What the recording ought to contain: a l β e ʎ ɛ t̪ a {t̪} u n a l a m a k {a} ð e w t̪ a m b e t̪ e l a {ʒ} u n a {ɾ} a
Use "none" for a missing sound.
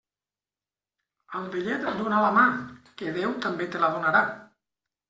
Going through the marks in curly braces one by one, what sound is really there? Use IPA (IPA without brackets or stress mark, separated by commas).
d̪, e, ð, ɾ